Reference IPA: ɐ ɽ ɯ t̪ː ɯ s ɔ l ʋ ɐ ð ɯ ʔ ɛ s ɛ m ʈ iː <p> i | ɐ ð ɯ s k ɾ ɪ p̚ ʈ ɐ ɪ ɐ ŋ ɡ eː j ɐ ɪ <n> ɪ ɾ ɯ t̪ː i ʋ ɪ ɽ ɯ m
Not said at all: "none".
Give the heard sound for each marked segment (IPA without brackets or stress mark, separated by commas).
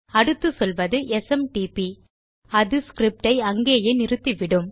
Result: p, n